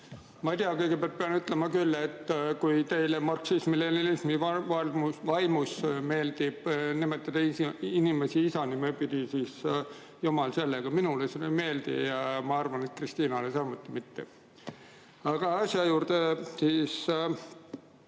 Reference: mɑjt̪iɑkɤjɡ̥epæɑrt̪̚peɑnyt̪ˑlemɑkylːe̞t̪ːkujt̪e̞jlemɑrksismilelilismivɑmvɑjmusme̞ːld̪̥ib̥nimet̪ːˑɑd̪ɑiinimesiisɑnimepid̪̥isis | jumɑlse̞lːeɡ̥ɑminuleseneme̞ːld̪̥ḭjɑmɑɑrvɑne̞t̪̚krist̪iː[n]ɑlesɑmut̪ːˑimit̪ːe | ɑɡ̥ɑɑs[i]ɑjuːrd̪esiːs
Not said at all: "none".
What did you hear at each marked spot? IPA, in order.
n, j

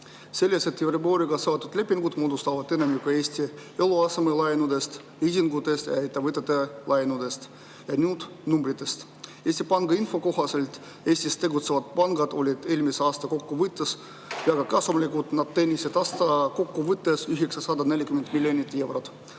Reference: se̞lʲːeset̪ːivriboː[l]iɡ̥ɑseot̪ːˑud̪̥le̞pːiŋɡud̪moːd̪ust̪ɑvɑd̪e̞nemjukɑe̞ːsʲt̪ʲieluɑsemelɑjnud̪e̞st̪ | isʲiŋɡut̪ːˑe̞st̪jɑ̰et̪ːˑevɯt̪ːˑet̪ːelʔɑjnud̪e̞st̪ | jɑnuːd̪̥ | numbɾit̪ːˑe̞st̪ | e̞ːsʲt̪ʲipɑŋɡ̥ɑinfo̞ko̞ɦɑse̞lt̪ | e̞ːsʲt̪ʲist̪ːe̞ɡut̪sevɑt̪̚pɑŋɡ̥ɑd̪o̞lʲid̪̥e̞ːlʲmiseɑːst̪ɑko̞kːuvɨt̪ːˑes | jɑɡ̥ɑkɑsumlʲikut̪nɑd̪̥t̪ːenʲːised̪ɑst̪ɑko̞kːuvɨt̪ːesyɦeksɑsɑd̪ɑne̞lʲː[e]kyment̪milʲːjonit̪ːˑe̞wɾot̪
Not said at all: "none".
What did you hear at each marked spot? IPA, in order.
ɾ, i

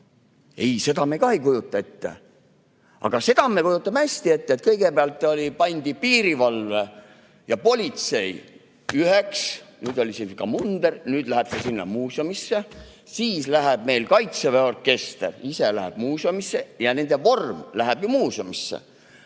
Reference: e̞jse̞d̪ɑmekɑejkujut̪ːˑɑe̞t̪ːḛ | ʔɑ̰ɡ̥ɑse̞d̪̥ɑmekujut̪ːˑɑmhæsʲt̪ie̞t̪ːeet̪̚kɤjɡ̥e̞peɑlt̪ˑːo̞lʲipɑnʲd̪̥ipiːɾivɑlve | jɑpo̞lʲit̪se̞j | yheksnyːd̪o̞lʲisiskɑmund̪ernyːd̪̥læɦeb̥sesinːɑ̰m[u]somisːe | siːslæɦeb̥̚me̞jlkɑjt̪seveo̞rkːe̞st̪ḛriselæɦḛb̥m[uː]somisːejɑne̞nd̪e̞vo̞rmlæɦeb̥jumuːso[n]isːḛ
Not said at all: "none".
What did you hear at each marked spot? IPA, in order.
uː, uː, m

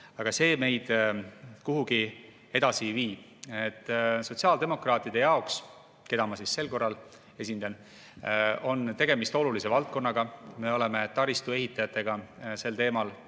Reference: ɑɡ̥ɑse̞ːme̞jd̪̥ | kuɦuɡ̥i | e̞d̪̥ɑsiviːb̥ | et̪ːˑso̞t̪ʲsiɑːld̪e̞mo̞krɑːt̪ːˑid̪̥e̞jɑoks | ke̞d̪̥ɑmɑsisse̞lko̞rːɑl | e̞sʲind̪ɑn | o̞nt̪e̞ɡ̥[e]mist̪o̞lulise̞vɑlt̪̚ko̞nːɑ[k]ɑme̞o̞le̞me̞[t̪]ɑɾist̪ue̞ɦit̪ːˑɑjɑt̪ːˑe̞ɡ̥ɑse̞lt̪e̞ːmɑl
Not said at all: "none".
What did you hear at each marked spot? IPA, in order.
e, ɡ, t̪

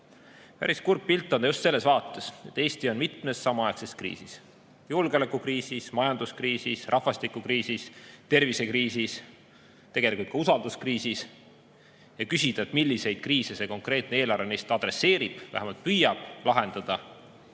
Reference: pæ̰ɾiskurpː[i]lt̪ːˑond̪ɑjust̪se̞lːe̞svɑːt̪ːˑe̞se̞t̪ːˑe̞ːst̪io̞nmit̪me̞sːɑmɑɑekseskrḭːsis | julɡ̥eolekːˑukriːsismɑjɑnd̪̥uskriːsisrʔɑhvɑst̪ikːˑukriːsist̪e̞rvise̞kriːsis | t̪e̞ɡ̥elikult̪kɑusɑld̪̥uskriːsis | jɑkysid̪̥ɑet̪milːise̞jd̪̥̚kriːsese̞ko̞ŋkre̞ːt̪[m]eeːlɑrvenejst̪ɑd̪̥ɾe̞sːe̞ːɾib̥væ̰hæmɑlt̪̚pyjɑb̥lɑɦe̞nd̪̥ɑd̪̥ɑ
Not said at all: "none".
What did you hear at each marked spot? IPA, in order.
i, n

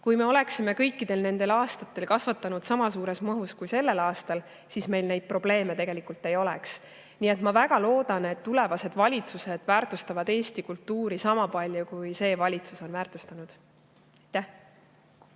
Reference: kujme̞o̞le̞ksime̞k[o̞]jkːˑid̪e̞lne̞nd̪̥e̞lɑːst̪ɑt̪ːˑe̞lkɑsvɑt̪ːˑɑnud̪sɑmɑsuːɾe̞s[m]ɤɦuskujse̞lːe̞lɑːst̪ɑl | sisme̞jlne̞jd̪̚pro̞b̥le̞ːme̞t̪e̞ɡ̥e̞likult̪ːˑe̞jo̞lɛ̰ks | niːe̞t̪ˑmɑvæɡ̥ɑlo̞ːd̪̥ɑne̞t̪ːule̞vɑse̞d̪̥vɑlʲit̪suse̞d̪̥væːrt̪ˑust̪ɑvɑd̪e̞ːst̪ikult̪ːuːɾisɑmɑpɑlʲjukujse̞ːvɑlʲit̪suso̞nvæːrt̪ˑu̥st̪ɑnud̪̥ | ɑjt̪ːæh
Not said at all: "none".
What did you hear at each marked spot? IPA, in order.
ɤ̞, m

